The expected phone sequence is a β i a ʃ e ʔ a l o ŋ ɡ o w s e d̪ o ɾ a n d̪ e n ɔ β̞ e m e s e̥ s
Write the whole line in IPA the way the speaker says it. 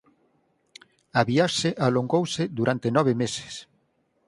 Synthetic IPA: a β i a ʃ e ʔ a l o ŋ ɡ o w s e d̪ u ɾ a n t̪ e n ɔ β̞ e m e s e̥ s